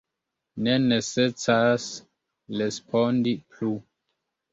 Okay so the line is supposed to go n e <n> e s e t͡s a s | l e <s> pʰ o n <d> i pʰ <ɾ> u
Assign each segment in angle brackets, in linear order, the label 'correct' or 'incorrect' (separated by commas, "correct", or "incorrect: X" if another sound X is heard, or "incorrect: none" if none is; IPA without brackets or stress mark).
correct, correct, correct, incorrect: l